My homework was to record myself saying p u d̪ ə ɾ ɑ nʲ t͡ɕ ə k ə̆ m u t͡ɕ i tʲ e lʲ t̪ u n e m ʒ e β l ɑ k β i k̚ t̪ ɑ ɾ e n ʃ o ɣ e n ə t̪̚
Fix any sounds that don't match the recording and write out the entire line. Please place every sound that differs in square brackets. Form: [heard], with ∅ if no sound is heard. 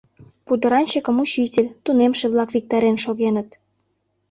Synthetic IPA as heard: p u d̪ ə ɾ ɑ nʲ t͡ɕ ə k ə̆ m u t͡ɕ i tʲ e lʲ t̪ u n e m [ʃ] e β l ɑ k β i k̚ t̪ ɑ ɾ e n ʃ o ɣ e n ə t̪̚